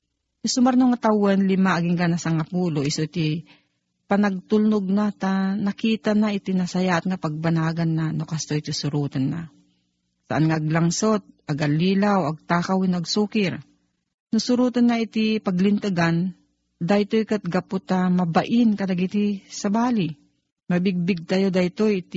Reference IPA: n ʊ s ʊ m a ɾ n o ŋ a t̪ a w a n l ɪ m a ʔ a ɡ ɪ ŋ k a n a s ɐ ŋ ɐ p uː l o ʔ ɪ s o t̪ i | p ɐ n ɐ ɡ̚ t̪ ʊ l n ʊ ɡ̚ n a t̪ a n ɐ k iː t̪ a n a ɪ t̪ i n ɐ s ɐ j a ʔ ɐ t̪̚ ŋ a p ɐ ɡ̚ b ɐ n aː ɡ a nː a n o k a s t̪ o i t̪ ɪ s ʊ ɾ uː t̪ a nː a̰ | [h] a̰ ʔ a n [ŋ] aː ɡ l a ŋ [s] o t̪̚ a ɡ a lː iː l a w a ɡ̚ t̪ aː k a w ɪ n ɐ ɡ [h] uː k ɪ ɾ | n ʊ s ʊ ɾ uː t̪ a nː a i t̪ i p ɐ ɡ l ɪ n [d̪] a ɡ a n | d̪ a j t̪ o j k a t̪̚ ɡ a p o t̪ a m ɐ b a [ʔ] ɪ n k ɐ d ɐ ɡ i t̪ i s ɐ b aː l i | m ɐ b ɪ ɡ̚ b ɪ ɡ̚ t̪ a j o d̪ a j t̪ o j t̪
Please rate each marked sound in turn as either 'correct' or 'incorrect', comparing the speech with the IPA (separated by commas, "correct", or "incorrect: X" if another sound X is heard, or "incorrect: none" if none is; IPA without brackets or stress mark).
incorrect: s, correct, correct, incorrect: s, incorrect: t̪, correct